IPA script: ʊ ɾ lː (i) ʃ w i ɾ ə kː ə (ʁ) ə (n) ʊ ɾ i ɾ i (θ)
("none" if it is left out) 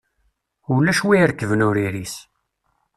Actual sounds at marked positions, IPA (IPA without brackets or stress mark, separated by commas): æ, v, n, s